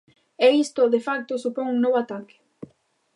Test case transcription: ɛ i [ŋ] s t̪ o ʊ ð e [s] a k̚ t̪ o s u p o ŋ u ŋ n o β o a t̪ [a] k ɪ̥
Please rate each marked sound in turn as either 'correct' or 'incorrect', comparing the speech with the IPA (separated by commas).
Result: incorrect, incorrect, correct